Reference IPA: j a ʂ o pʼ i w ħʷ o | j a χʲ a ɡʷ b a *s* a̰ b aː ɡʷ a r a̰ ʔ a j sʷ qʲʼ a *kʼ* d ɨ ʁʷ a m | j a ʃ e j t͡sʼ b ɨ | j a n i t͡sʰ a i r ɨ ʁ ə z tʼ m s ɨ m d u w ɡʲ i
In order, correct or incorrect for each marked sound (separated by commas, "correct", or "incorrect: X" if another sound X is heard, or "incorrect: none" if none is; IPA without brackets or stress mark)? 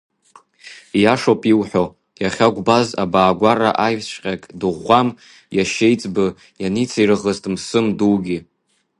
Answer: incorrect: z, correct